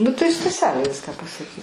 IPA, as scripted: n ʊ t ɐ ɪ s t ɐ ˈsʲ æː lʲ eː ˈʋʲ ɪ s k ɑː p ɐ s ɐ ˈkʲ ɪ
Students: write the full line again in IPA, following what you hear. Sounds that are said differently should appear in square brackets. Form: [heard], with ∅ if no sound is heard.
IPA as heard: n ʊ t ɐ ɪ s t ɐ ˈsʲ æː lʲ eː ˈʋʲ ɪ s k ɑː p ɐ s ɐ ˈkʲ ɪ